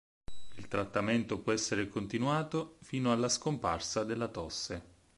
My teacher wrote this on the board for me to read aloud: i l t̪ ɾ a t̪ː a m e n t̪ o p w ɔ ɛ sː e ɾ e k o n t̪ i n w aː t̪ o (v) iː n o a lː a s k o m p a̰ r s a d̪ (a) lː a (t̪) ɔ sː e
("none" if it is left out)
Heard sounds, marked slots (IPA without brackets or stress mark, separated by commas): f, e, t̪